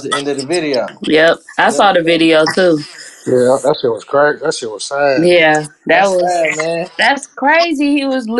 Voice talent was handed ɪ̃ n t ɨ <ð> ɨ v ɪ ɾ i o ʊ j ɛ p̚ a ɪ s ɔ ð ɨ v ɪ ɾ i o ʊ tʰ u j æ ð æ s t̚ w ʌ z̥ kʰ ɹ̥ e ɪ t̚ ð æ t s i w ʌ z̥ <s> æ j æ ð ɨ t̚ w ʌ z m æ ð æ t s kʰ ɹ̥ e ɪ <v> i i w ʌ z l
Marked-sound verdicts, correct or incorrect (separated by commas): correct, correct, incorrect